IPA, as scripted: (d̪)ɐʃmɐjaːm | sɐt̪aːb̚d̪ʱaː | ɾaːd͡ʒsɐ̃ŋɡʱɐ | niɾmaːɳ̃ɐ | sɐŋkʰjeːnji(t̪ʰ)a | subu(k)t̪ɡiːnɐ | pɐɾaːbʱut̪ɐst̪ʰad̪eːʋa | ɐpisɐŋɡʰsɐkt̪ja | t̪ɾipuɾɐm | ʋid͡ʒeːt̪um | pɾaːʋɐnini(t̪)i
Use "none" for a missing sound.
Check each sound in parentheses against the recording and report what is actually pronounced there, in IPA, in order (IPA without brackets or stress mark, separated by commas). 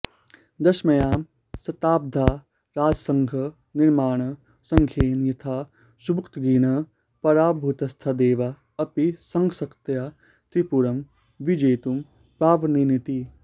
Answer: d̪, t̪ʰ, k, t̪